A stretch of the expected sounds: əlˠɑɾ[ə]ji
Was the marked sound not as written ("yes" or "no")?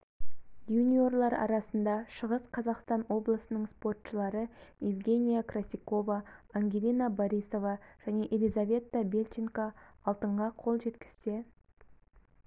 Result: no